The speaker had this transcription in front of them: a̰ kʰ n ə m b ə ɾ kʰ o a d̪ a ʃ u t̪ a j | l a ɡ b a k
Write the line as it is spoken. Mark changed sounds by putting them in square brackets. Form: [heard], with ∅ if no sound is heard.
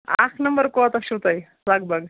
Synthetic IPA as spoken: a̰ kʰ n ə m b ə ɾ [k] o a [t̪] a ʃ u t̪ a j | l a ɡ b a [ɡ]